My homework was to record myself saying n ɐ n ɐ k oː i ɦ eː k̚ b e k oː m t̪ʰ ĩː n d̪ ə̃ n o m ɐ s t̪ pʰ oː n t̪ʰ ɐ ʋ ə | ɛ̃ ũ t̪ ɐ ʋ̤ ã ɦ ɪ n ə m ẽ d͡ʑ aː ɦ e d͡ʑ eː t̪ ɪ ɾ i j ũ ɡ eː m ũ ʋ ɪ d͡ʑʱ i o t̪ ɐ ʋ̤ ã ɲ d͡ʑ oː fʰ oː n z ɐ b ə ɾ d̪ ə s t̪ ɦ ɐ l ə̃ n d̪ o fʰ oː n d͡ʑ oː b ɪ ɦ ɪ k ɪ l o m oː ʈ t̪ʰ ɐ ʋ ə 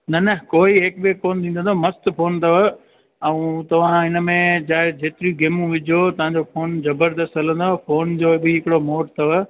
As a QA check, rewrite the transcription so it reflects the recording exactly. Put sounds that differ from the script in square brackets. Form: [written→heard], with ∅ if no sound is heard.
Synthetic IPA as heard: n ɐ n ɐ k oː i ɦ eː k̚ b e k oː [m→n] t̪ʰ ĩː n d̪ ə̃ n o m ɐ s t̪ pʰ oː n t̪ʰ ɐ ʋ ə | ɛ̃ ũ t̪ ɐ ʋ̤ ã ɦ ɪ n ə m ẽ d͡ʑ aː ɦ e d͡ʑ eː t̪ ɪ ɾ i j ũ ɡ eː m ũ ʋ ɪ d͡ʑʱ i o t̪ ɐ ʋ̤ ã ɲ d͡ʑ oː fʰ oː n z ɐ b ə ɾ d̪ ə s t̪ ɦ ɐ l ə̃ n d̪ o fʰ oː n d͡ʑ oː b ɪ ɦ ɪ k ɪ [l→ɽ] o m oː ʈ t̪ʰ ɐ ʋ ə